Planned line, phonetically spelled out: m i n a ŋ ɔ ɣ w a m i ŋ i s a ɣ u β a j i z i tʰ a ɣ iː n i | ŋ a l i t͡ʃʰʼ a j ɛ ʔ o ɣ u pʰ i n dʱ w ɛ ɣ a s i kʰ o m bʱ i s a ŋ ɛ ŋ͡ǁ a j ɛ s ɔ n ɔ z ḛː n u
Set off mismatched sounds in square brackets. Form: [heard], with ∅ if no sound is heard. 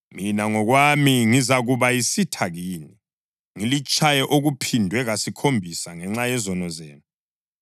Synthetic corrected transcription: m i n a ŋ ɔ ɣ w a m i ŋ i [z] a ɣ u β a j i [s] i tʰ a ɣ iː n i | ŋ [i] l i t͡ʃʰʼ a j ɛ ʔ o ɣ u pʰ i n dʱ w ɛ ɣ a s i kʰ o m bʱ i s a ŋ ɛ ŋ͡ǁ a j ɛ [z] ɔ n ɔ z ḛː n u